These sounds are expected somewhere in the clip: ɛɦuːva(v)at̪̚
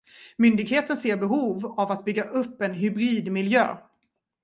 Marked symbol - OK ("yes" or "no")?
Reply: yes